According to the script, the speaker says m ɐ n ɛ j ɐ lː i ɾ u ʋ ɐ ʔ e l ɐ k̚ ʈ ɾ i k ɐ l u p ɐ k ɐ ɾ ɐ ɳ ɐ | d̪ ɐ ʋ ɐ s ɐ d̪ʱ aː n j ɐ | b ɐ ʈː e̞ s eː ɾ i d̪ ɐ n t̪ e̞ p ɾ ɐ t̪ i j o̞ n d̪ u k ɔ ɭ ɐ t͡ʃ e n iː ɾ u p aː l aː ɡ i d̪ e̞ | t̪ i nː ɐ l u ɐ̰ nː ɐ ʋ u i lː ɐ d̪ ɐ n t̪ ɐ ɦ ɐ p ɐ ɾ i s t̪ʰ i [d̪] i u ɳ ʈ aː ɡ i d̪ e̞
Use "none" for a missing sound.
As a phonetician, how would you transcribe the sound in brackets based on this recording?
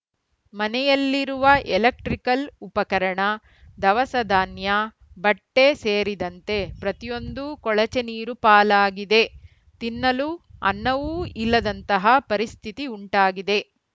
t̪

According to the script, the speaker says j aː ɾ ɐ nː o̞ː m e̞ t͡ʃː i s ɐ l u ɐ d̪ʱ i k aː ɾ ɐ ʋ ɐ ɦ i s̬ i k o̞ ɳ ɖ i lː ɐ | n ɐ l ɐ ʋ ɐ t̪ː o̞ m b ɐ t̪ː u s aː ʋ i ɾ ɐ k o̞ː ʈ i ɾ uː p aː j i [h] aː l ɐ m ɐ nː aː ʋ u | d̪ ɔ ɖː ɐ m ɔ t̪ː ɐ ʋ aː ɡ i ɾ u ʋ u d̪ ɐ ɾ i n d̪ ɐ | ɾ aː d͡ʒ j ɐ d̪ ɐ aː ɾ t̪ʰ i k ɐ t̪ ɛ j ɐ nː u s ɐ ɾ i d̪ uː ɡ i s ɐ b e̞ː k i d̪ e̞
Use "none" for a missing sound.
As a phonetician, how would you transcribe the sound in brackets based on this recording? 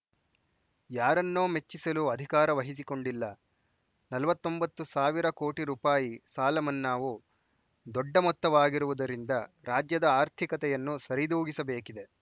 s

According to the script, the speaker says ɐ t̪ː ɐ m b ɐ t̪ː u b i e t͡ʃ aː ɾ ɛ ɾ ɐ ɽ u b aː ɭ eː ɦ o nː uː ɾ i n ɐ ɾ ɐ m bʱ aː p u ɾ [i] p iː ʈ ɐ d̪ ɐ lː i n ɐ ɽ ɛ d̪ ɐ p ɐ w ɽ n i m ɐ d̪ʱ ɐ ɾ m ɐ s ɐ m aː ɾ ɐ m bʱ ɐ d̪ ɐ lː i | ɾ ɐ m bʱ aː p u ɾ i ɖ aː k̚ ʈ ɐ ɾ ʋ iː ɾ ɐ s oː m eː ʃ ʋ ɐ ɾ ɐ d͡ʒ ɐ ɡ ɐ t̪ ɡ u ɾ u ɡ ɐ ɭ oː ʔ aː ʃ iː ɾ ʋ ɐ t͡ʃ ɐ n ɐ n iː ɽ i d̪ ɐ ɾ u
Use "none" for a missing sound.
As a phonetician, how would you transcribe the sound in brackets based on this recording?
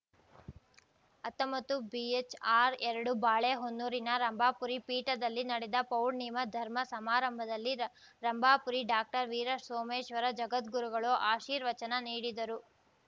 i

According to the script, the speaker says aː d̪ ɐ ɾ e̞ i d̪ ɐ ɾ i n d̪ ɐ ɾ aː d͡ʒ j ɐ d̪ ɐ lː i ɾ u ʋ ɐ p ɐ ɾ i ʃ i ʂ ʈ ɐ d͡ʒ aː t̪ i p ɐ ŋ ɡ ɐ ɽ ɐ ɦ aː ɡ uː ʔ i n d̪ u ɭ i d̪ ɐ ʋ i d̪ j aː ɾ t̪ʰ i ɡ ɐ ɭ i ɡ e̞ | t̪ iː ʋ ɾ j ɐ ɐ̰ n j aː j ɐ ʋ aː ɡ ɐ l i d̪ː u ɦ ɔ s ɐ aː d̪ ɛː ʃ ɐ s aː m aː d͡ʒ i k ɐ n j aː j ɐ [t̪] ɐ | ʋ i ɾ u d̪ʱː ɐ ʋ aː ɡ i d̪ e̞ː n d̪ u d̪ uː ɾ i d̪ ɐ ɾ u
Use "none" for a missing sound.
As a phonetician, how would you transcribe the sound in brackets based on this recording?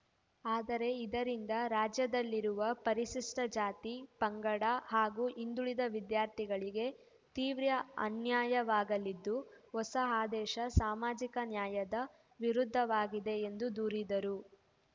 d̪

